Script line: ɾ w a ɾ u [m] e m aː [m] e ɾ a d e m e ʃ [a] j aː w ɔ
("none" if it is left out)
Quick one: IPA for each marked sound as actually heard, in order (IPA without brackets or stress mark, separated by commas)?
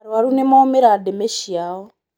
n, m, i